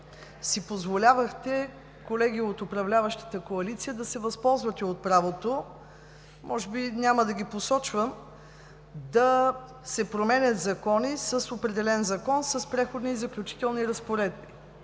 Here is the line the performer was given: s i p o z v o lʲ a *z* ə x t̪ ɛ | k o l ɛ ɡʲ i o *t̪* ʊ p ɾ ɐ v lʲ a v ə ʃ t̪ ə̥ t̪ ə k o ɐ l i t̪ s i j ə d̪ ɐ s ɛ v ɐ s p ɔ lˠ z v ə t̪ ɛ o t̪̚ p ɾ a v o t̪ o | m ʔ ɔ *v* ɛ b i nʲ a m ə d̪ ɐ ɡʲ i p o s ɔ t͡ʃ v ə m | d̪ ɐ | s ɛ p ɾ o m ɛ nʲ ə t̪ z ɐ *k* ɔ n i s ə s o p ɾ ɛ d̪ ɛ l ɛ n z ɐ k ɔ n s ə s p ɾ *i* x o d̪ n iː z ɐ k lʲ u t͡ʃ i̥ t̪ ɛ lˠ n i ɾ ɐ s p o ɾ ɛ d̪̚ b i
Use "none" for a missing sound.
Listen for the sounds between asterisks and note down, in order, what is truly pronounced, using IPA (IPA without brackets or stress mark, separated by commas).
v, t̪, ʒ, k, ɛ